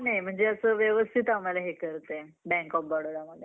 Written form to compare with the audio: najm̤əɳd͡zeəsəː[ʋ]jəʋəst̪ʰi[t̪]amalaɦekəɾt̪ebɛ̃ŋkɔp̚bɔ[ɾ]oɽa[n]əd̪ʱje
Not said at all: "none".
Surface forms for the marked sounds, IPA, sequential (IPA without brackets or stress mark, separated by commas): ʋ, t̪, ɽ, m